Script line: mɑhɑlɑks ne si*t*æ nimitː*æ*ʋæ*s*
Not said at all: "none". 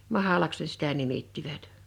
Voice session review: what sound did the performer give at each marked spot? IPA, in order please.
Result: t, i, t

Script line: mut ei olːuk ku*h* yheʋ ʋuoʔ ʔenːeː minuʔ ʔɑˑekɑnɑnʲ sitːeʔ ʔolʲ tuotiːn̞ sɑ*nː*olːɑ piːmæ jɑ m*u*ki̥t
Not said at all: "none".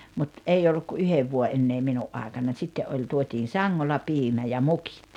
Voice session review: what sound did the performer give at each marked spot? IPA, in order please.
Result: none, ŋː, u

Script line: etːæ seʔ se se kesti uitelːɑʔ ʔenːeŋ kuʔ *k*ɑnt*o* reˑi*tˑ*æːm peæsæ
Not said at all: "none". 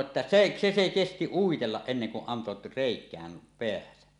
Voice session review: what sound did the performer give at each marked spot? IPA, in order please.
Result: ʔ, o, kˑ

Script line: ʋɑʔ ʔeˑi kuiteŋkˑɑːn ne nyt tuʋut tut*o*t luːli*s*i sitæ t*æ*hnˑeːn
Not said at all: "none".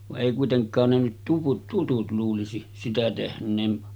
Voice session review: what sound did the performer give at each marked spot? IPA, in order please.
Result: u, s, e

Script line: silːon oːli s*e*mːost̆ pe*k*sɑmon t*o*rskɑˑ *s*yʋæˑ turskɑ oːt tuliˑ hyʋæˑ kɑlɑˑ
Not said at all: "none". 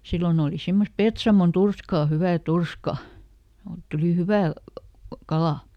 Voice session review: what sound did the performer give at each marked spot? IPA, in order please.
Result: i, t, u, h

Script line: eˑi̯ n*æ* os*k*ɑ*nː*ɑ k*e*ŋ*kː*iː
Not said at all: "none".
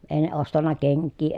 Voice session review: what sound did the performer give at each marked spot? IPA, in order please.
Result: e, t, nː, e, kː

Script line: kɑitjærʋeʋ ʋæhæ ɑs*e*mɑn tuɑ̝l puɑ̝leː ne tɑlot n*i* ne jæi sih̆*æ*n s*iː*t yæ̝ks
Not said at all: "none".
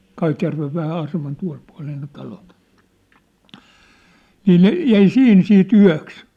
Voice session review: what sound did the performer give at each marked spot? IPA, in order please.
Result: e, iː, i, iː

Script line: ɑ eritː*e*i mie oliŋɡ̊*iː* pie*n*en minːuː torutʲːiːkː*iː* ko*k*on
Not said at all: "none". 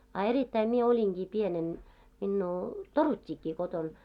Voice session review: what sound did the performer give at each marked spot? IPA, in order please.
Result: æ, iː, n, iː, t

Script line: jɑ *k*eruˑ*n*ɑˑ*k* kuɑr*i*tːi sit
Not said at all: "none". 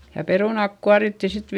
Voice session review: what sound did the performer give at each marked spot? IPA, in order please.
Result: p, n, k, i

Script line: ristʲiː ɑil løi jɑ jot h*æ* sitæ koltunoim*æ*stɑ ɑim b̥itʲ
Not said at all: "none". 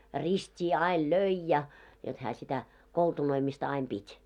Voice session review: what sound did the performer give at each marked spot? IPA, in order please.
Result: æː, i

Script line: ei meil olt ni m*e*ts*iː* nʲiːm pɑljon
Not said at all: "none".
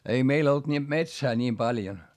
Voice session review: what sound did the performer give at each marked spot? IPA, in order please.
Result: e, æː

